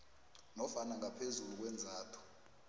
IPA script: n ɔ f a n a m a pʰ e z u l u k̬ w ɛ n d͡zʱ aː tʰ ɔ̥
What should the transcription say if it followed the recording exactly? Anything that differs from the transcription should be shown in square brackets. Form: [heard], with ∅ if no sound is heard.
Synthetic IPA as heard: n ɔ f a n a [ŋ] a pʰ e z u l u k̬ w ɛ n d͡zʱ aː tʰ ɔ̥